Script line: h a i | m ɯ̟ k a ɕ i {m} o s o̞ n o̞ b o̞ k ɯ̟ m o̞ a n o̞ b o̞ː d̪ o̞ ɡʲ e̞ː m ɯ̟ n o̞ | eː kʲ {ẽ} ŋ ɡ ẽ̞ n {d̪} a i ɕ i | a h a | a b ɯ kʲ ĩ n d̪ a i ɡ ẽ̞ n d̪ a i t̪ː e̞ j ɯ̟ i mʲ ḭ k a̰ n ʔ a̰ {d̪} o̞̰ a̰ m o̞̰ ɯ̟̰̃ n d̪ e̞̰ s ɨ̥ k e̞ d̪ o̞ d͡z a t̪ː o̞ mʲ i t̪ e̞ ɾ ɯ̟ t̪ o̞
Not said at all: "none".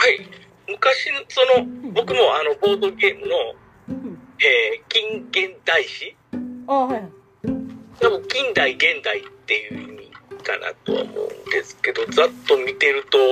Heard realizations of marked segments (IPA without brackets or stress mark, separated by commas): n, ĩ, d̪, t̪